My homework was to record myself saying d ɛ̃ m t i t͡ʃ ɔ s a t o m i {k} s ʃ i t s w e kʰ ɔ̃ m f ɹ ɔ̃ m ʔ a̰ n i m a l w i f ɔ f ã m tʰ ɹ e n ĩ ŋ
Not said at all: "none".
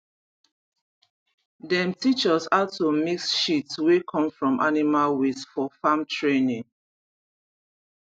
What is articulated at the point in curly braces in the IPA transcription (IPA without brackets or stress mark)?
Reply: k